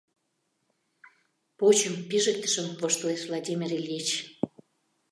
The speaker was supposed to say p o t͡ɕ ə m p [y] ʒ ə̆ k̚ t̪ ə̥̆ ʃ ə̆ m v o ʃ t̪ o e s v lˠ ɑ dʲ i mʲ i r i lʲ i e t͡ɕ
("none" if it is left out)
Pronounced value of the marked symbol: i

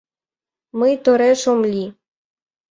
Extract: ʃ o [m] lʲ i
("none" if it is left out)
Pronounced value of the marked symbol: m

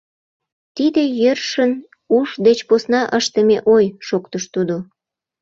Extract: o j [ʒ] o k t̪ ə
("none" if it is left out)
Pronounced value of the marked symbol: ʃ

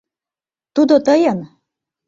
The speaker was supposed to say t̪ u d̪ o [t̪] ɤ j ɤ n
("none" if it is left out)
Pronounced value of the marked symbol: t̪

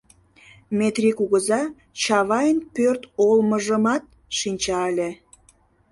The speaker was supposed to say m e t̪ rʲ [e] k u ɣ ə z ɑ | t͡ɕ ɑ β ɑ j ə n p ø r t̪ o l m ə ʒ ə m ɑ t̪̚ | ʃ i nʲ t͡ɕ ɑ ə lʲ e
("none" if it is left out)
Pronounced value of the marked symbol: i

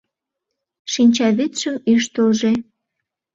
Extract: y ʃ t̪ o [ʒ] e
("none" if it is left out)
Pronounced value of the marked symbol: ʒ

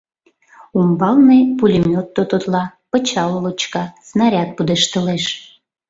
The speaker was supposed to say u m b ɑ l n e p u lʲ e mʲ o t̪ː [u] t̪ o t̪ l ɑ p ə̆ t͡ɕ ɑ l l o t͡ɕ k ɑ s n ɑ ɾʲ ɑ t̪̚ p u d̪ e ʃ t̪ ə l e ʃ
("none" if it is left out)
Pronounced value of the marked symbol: o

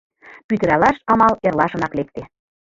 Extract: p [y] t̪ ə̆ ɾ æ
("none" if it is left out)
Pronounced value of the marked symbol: y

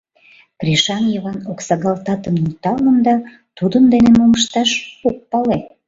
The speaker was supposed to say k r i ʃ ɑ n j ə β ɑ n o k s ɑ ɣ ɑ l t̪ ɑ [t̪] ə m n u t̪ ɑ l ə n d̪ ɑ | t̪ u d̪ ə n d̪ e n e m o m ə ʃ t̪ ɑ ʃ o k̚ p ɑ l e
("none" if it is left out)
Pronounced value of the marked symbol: t̪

